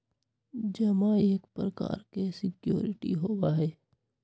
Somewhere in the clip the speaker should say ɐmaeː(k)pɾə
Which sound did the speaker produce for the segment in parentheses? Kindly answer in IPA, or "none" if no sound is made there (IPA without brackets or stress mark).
k